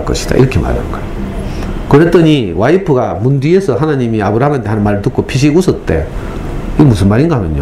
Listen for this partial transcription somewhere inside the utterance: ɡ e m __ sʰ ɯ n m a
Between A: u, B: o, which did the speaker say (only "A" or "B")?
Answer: A